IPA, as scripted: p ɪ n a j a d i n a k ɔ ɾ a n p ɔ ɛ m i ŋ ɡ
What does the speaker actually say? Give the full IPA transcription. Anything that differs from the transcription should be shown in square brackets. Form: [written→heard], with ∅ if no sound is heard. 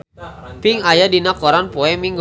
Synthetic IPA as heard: p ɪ [n→ŋ] a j a d i n a k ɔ ɾ a n p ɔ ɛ m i ŋ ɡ